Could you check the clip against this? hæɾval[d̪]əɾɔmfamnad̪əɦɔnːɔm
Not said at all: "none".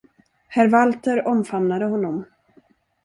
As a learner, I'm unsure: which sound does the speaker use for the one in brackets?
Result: t̪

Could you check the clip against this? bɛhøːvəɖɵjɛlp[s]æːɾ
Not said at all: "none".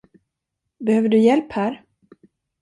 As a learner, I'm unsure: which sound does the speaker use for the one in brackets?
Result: h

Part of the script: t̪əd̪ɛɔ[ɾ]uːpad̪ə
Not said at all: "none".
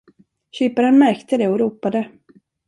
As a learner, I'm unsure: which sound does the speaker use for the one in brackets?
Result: ɾ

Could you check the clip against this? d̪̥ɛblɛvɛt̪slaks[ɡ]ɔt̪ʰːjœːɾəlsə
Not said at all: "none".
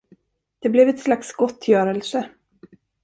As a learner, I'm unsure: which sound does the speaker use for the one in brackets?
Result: ɡ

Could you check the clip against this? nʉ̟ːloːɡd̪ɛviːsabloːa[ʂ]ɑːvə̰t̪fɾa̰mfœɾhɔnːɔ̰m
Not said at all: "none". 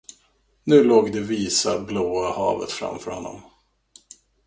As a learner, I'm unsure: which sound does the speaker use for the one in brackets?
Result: h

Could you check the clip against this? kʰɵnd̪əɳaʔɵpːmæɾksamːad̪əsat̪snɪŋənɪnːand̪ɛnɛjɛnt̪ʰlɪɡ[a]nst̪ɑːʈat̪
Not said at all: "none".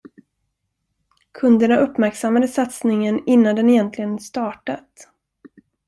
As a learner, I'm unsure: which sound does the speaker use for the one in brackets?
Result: ə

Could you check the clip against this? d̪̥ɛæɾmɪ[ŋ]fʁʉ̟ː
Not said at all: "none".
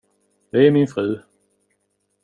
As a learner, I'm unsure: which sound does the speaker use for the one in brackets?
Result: n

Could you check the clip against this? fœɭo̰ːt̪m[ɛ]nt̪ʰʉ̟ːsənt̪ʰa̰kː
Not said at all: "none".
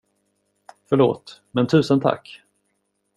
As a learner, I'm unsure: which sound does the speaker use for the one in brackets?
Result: ɛ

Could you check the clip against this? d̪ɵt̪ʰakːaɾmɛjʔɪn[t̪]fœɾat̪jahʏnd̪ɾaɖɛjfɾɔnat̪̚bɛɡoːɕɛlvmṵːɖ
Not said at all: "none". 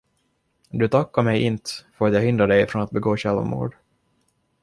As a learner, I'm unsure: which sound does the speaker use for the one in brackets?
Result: t̪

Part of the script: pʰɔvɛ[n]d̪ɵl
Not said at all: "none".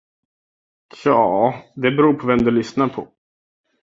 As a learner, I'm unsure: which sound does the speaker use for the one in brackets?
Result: m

